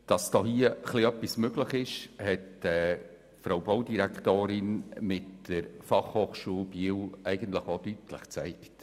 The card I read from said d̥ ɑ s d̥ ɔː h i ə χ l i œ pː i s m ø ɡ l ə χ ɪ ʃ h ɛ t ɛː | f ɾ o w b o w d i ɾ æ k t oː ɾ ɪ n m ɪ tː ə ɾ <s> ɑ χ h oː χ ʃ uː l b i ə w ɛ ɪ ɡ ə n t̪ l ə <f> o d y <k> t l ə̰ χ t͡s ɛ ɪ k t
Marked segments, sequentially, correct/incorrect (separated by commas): incorrect, incorrect, incorrect